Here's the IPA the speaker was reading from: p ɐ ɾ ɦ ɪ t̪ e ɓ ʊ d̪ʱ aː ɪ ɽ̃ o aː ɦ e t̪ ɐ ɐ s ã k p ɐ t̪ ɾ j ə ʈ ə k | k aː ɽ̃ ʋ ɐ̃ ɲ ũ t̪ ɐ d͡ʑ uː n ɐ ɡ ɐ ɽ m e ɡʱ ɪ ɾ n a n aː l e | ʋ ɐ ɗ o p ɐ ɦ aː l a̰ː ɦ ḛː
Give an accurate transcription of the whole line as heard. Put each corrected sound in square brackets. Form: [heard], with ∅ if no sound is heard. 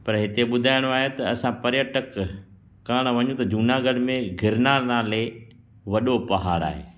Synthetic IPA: p ɐ ɾ ɦ ɪ t̪ e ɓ ʊ d̪ʱ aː ɪ ɽ̃ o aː ɦ e t̪ ɐ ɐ s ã [∅] p ɐ [∅] ɾ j ə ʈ ə k | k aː ɽ̃ ʋ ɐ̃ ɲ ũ t̪ ɐ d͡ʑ uː n [a] ɡ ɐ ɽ m [ẽ] ɡʱ ɪ ɾ n a n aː l e | ʋ ɐ ɗ o p ɐ ɦ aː [ɾ] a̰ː ɦ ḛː